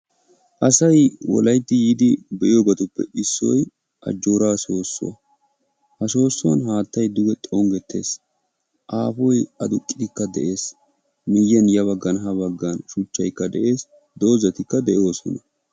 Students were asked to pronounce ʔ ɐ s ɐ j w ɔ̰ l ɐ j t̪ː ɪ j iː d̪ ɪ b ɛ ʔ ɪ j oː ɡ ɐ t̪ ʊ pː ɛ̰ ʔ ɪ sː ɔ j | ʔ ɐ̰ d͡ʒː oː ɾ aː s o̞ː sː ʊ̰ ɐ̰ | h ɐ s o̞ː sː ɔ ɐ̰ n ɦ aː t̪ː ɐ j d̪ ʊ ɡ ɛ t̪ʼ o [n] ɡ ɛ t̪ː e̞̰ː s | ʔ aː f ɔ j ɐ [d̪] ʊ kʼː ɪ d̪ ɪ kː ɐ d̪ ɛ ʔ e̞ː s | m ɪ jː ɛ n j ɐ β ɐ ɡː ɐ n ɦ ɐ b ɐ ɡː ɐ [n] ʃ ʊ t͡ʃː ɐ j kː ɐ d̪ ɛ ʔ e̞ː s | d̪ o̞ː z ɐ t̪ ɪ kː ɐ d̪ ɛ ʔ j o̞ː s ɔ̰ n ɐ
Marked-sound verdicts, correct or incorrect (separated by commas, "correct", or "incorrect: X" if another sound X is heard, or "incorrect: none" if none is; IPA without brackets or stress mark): incorrect: ŋ, correct, correct